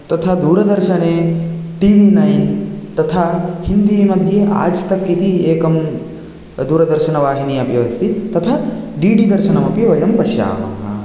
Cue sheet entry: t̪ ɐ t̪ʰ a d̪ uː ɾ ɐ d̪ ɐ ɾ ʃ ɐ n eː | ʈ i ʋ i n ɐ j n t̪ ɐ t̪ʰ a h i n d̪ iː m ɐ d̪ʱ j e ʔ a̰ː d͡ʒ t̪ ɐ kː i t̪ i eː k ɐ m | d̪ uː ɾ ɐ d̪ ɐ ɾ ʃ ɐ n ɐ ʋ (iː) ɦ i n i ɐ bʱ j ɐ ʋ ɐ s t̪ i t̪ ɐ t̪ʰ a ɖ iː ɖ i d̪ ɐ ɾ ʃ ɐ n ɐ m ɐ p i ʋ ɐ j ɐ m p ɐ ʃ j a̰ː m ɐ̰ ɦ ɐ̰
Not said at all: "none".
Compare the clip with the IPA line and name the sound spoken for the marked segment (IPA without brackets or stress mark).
aː